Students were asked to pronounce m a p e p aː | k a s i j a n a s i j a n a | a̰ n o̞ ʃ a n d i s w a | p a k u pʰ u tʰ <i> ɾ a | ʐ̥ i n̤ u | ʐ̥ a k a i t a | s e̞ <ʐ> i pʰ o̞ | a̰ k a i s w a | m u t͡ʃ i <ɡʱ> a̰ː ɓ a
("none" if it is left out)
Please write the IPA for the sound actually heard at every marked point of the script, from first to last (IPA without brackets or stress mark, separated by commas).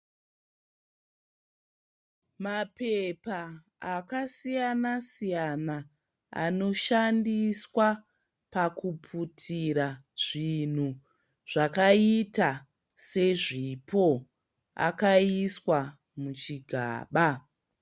i, ʐ, ɡʱ